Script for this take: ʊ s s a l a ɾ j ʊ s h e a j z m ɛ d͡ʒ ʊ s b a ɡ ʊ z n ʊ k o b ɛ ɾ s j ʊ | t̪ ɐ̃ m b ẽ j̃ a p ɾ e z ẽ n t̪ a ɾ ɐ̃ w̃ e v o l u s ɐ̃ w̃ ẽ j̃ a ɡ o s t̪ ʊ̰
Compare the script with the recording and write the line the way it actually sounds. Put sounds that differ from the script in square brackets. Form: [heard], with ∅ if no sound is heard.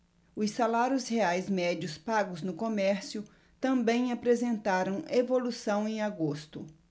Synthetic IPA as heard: ʊ s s a l a ɾ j ʊ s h e a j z m ɛ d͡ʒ ʊ s [p] a ɡ ʊ z n ʊ k o [m] ɛ ɾ s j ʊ | t̪ ɐ̃ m b ẽ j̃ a p ɾ e z ẽ n t̪ a ɾ ɐ̃ w̃ e v o l u s ɐ̃ w̃ ẽ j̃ a ɡ o s t̪ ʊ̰